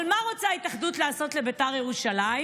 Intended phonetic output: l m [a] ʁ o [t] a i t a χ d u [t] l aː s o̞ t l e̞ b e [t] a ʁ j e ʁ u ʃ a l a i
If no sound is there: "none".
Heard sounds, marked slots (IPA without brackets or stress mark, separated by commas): a, t͡s, t, t